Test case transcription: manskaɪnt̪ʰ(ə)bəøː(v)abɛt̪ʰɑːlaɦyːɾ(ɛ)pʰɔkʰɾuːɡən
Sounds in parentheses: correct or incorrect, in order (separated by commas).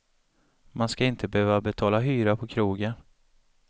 correct, correct, incorrect